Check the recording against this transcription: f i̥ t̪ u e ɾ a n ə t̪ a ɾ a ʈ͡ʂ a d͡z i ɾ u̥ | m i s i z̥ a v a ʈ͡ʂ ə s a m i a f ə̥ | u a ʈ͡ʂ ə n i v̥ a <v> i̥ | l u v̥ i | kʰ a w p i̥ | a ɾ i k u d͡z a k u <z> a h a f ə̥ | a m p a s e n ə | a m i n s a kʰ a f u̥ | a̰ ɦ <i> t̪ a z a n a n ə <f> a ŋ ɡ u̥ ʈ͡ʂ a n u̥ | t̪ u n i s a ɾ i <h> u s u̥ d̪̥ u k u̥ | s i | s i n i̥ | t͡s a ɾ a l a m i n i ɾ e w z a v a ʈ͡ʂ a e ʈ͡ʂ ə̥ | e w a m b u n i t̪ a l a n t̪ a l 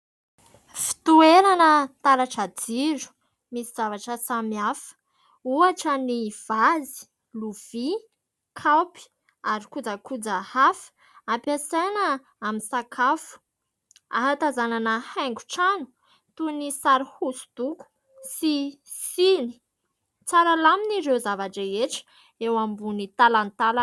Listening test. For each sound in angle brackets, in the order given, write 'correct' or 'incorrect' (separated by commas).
incorrect, incorrect, incorrect, incorrect, correct